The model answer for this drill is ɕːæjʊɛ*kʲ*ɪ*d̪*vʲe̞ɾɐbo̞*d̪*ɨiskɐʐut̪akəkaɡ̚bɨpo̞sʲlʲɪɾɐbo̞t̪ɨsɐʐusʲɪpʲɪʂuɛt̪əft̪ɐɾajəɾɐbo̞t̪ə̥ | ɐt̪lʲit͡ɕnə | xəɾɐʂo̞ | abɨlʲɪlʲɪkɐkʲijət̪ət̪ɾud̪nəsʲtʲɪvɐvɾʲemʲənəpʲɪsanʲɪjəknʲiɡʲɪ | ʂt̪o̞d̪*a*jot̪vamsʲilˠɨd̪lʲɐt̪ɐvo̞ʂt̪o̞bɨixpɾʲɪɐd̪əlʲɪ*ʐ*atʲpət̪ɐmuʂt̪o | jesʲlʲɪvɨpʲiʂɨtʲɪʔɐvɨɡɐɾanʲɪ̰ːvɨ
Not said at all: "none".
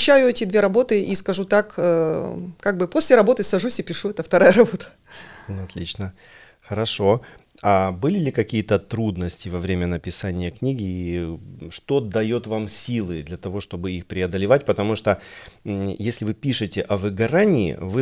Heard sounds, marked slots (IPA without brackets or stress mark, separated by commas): tʲ, d̪, t̪, ɐ, v